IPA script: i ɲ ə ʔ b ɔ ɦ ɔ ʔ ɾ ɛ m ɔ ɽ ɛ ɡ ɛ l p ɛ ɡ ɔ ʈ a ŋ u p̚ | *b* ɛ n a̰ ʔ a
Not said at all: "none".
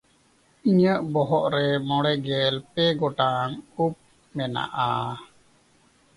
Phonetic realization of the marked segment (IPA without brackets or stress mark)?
m